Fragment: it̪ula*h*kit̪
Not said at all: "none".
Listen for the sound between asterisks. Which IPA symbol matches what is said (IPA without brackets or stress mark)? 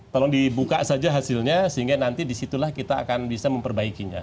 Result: h